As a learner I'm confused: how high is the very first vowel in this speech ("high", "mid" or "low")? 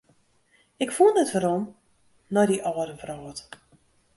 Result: high